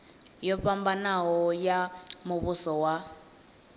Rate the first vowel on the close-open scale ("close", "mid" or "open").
mid